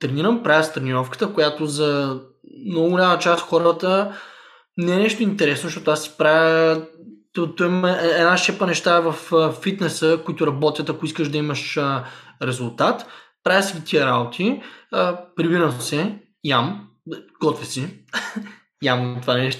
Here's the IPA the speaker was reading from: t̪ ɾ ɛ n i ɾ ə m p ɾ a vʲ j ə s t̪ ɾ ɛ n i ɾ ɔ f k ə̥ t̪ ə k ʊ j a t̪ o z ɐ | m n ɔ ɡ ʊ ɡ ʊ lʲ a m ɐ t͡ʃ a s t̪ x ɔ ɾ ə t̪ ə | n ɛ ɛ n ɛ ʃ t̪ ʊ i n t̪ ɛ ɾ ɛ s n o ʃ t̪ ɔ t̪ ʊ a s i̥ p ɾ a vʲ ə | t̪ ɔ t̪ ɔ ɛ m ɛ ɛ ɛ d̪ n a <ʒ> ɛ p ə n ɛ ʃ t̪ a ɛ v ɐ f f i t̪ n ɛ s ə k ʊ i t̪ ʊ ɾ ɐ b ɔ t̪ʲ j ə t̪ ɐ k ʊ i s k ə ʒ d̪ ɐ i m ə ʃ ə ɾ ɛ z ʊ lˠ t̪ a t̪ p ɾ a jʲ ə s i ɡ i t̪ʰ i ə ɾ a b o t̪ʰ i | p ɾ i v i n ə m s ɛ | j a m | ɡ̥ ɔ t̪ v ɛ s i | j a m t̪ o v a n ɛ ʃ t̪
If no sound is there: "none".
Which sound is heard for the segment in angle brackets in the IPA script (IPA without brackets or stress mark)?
ʃ